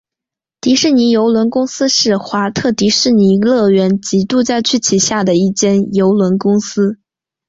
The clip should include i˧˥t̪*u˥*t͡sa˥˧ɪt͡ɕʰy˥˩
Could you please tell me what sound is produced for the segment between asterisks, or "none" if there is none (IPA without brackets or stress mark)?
u˥˧